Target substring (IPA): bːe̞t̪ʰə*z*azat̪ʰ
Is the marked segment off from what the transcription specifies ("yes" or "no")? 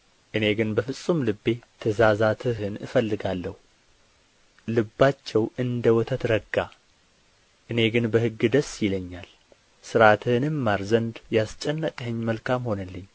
no